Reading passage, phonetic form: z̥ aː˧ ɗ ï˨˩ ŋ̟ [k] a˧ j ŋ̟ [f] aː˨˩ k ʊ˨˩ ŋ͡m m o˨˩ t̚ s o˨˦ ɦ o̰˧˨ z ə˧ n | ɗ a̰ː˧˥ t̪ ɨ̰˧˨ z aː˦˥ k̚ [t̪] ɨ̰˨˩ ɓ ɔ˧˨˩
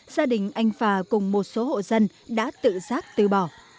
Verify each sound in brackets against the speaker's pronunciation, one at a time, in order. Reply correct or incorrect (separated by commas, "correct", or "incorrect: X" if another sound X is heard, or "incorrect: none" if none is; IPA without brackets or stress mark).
incorrect: ʔ, correct, correct